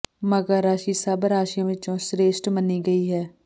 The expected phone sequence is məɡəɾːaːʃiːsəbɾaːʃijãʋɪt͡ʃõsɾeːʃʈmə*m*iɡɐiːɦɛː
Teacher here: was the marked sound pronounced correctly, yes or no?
no